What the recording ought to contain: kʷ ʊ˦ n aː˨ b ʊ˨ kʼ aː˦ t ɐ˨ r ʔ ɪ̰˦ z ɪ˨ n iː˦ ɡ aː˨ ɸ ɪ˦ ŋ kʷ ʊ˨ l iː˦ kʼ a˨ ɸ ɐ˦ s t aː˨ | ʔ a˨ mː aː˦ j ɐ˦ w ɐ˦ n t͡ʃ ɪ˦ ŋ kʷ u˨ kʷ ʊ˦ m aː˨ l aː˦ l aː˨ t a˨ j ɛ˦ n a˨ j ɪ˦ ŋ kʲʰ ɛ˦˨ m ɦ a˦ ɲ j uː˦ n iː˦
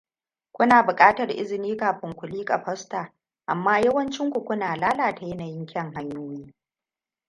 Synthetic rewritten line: kʷ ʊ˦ n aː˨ b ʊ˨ kʼ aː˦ t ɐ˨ r ʔ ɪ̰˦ z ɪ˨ n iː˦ k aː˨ ɸ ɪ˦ ŋ kʷ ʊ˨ l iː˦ kʼ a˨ ɸ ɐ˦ s t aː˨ | ʔ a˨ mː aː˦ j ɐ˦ w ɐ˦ n t͡ʃ ɪ˦ ŋ kʷ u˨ kʷ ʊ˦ n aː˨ l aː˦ l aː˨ t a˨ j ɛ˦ n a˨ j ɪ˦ ŋ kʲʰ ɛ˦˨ ŋ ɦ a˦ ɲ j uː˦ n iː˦

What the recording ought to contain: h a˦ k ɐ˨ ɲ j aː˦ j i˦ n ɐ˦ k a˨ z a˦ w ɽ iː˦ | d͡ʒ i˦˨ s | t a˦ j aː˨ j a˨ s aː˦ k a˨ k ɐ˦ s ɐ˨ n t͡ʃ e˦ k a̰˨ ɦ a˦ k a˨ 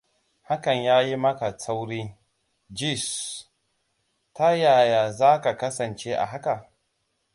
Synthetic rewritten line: h a˦ k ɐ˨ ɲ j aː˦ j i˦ m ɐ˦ k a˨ s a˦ w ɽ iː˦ | d͡ʒ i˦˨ s | t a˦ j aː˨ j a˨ z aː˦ k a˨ k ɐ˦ s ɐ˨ n t͡ʃ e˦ ʔ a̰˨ ɦ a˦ k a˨

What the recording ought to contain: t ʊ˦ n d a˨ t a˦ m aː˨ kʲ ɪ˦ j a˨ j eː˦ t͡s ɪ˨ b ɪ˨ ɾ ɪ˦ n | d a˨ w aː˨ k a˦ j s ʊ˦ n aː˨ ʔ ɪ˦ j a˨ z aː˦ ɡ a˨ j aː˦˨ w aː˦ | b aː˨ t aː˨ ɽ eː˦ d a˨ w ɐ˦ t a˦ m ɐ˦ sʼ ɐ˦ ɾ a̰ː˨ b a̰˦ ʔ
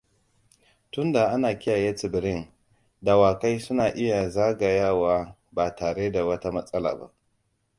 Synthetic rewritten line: t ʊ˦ n d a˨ ʔ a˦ n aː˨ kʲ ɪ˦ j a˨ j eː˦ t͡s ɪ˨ b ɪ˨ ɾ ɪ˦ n | d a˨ w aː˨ k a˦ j s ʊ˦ n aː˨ ʔ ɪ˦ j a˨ z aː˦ ɡ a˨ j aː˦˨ w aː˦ | b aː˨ t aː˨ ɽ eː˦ d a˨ w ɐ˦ t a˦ m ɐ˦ sʼ ɐ˦ l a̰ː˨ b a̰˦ ʔ

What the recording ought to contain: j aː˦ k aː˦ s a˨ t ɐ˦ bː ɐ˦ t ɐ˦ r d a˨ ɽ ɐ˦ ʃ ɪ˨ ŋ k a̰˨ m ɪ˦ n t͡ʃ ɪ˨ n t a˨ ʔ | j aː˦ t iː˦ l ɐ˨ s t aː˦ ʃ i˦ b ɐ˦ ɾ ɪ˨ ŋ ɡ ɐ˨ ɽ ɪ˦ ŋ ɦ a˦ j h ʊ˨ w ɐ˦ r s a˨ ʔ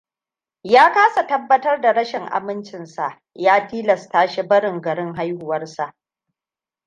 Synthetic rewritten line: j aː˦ k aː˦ s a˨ t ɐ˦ bː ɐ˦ t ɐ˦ r d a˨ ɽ ɐ˦ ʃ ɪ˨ ŋ ʔ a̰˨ m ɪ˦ n t͡ʃ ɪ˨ n s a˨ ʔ | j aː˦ t iː˦ l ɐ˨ s t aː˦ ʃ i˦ b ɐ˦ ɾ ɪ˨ ŋ ɡ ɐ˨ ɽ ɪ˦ ŋ ɦ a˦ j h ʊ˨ w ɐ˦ r s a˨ ʔ

